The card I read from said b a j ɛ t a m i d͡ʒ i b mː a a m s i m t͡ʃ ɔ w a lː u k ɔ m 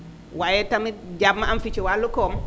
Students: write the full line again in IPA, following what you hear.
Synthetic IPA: w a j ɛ t a m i d͡ʒ a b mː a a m f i t͡ʃ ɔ w a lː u k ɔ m